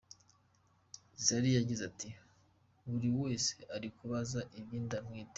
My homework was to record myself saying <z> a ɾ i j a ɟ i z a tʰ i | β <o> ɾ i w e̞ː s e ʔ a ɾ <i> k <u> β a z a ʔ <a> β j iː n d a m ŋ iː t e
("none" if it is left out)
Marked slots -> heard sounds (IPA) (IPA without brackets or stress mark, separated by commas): z, u, i, u, i